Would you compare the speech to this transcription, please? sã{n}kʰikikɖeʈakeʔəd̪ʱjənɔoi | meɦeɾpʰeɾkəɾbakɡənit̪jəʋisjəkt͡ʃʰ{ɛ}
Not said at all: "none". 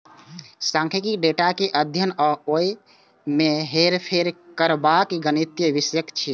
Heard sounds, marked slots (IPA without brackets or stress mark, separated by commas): ŋ, i